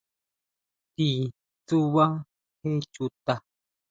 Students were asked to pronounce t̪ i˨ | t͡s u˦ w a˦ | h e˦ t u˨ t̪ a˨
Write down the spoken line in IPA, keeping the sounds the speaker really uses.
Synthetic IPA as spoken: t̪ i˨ | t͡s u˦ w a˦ | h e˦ t͡ʃ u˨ t̪ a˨

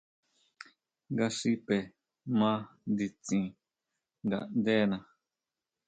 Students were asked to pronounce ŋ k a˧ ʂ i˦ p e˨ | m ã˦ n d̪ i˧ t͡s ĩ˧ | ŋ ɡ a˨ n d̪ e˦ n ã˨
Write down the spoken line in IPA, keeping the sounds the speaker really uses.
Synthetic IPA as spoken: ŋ ɡ a˧ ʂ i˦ p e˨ | m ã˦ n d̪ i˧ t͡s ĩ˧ | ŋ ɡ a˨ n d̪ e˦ n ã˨

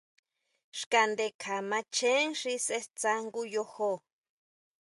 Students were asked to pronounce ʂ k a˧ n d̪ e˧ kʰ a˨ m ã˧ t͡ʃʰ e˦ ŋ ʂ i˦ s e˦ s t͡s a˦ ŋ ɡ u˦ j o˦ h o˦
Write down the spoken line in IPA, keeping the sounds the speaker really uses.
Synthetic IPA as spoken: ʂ k a˧ n d̪ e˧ kʰ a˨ m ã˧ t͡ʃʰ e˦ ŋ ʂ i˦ s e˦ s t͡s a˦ ŋ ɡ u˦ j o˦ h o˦

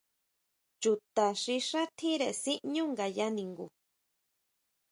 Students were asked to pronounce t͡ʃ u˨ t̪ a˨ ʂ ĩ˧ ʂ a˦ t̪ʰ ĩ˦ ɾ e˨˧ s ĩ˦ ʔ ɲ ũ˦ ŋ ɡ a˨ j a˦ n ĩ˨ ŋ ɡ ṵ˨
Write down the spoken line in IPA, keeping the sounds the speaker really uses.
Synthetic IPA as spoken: t͡ʃ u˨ t̪ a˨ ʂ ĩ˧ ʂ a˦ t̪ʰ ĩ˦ ɾ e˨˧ s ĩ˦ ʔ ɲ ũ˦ ŋ ɡ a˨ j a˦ n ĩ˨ ŋ ɡ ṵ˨

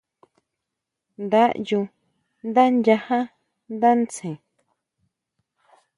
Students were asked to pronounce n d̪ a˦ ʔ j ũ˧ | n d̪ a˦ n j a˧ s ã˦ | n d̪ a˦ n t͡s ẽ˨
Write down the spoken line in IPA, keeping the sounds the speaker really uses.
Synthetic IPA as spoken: n d̪ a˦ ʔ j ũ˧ | n d̪ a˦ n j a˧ h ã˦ | n d̪ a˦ n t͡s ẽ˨

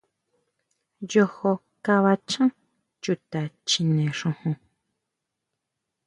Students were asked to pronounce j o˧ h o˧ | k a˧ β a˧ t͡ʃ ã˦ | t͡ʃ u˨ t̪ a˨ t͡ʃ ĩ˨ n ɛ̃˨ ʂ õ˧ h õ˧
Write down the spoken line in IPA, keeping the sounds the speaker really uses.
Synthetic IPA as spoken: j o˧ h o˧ | k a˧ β a˧ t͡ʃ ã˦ | t͡ʃ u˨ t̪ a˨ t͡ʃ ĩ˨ n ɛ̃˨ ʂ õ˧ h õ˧

